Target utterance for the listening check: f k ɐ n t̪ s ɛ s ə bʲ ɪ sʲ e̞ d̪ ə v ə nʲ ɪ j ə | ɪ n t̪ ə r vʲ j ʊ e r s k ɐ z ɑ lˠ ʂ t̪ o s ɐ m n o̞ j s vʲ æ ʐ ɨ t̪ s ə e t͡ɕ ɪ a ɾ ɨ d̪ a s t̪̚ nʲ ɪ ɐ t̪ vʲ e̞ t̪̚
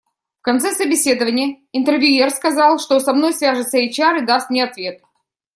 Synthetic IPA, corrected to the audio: f k ɐ n t̪ s ɛ s ə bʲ ɪ sʲ e̞ d̪ ə v ə nʲ ɪ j ə | ɪ n t̪ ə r vʲ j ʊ e r s k ɐ z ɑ lˠ ʂ t̪ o s ɐ m n o̞ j s vʲ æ ʐ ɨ t̪ s ə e t͡ɕ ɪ a ɾ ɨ d̪ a s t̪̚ nʲ ɪ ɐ t̪ vʲ e̞ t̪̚